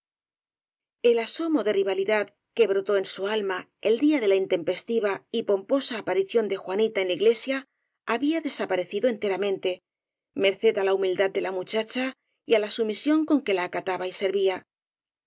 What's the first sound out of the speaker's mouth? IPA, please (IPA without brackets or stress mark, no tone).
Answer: e̞